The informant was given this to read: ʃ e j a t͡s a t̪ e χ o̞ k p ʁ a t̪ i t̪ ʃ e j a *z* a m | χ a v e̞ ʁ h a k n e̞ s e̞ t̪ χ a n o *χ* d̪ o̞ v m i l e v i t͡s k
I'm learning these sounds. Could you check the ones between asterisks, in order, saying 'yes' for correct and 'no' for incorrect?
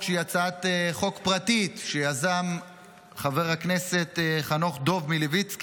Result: yes, yes

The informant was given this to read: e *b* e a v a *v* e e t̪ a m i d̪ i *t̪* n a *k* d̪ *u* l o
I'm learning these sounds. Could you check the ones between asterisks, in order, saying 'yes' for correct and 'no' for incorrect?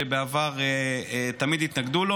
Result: yes, no, yes, no, yes

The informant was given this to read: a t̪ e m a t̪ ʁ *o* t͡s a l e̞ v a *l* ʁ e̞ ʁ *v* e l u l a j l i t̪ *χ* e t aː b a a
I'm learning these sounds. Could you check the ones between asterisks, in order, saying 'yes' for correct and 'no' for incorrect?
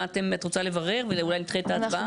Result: yes, no, yes, yes

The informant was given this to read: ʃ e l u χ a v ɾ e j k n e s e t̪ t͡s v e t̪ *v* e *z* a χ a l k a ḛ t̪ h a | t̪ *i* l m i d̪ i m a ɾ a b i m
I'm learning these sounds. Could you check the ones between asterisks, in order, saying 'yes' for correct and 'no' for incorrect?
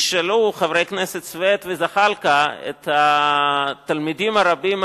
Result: yes, yes, no

